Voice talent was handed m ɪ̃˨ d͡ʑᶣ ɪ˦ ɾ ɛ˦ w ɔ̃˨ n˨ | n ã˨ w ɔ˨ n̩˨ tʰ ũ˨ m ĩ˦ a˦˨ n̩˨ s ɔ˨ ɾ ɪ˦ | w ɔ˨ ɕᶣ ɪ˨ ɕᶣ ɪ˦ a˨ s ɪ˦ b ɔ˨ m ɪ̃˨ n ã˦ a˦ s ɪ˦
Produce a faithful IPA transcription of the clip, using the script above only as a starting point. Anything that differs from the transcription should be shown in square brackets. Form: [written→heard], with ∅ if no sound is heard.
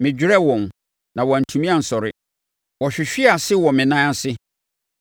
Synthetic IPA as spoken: m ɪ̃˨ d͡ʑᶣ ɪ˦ ɾ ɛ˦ w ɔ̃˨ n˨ | n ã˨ w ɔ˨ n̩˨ tʰ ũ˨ m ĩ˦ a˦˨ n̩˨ s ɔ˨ ɾ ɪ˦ | w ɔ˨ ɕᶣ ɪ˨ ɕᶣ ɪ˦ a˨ s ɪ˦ [b→w] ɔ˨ m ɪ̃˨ n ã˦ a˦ s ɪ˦